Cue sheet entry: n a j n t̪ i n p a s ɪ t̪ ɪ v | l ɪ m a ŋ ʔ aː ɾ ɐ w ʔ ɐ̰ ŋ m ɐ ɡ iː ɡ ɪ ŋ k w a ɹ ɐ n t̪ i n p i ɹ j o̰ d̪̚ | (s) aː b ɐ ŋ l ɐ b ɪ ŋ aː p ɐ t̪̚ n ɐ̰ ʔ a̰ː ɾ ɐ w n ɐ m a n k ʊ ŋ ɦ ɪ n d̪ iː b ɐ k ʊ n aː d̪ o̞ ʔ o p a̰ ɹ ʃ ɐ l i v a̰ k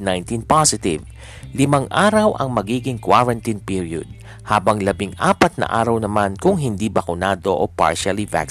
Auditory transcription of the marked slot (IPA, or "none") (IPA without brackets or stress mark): h